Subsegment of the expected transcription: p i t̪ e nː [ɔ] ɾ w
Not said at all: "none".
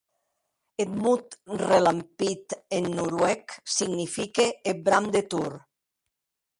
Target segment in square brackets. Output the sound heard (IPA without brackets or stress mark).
u